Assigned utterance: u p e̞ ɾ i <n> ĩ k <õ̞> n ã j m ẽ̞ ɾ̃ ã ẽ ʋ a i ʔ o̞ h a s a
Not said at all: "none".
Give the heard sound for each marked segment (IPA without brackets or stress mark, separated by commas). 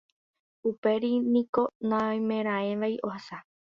n, o̞